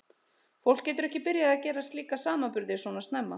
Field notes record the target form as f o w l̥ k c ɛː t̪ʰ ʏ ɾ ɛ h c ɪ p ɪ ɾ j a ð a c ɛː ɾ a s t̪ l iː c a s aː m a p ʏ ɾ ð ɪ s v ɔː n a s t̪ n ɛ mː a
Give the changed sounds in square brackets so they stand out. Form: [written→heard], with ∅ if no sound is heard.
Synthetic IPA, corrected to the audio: f o w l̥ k c ɛː [t̪ʰ→t̪] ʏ ɾ ɛ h c ɪ p ɪ ɾ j a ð a c ɛː ɾ a s t̪ l iː [c→k] a s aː m a p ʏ ɾ ð ɪ s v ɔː n a s t̪ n ɛ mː a